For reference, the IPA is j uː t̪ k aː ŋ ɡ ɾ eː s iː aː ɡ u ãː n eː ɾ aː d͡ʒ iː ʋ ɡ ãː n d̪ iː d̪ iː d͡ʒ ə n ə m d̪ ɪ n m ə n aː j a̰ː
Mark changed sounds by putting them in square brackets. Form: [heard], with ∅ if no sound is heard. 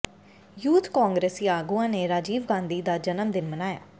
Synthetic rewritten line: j uː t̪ k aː ŋ ɡ ɾ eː s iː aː ɡ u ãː n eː ɾ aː d͡ʒ iː ʋ ɡ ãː n d̪ iː d̪ [aː] d͡ʒ ə n ə m d̪ ɪ n m ə n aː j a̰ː